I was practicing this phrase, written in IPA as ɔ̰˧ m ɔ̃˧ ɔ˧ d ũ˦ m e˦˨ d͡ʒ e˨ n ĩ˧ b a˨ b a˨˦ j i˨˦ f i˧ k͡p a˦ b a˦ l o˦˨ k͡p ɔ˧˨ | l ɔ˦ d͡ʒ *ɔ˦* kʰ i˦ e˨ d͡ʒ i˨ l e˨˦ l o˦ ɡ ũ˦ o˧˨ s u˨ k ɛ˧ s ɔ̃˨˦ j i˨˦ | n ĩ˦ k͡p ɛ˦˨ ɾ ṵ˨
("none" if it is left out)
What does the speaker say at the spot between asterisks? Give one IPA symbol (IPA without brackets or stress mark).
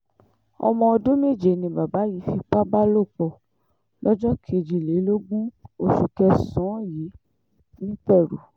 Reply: ɔ˦